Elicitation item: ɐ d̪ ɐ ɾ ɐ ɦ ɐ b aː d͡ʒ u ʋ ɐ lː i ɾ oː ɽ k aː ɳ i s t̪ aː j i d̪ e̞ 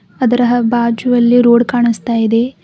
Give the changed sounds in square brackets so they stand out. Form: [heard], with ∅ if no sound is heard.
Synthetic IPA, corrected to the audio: ɐ d̪ ɐ ɾ ɐ ɦ ɐ b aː d͡ʒ u ʋ ɐ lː i ɾ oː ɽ k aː ɳ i s t̪ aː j i d̪ e̞